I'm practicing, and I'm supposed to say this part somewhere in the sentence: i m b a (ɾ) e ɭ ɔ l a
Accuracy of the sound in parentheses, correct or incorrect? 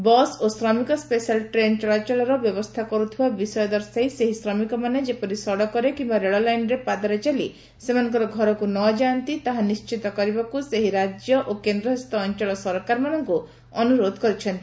correct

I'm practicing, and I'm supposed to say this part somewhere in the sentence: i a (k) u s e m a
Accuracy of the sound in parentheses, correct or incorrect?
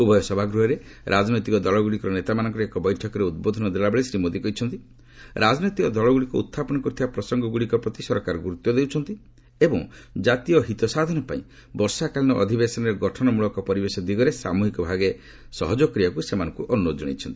correct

